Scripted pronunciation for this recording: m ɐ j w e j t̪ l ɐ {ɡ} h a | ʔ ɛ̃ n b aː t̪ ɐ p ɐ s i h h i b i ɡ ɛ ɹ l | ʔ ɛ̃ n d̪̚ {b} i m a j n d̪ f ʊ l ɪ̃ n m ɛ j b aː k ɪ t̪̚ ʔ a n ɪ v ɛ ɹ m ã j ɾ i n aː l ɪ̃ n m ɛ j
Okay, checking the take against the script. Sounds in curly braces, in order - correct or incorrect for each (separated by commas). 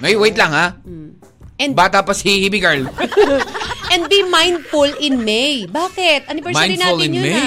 incorrect, correct